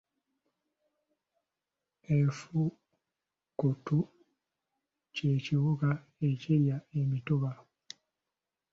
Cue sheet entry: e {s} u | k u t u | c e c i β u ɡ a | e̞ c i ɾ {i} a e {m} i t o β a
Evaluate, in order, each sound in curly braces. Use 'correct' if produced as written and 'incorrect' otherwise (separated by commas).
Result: incorrect, incorrect, correct